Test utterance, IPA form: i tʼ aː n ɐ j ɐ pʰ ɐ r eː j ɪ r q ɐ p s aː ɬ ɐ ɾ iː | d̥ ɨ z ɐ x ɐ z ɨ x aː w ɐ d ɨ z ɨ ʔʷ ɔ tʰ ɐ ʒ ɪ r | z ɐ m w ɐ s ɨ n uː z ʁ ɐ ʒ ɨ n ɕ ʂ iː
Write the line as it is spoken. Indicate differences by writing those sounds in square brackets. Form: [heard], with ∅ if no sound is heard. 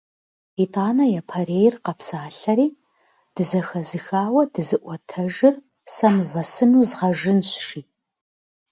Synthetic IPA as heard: i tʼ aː n ɐ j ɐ pʰ ɐ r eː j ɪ r q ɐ p s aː ɬ ɐ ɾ iː | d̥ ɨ z ɐ x ɐ z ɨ x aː w ɐ d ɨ z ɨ ʔʷ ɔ tʰ ɐ ʒ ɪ r | [s] ɐ m [v] ɐ s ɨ n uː z ʁ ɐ ʒ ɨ n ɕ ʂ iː